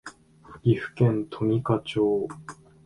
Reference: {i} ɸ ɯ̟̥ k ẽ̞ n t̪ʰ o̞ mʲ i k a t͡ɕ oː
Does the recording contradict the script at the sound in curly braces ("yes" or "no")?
no